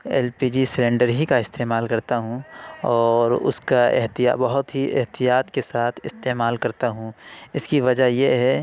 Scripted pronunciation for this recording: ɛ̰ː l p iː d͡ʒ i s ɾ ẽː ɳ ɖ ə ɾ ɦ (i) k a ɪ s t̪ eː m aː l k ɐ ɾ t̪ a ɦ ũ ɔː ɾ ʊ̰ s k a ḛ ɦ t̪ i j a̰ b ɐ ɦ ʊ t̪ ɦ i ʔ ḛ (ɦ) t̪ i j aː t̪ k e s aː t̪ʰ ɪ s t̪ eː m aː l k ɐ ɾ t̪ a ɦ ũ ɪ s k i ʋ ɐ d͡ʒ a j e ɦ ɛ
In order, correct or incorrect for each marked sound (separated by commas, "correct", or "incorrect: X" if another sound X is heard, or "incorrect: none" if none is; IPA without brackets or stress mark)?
correct, correct